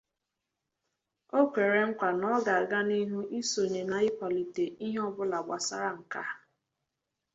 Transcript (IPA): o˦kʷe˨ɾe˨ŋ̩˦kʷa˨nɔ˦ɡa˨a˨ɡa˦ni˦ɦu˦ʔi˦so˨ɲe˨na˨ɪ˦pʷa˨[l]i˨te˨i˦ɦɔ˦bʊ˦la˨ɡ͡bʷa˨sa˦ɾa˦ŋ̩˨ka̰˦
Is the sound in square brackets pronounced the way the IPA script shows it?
yes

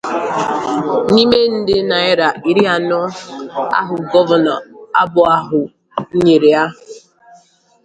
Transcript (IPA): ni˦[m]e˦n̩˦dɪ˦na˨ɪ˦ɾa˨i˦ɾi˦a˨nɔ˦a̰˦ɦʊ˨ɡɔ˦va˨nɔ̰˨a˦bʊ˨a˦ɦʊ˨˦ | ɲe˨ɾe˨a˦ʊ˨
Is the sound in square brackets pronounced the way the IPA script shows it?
yes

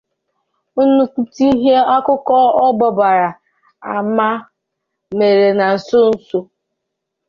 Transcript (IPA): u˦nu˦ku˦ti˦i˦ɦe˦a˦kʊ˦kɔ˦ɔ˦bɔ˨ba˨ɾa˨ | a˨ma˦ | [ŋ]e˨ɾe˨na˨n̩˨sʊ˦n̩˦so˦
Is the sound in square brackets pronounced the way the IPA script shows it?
no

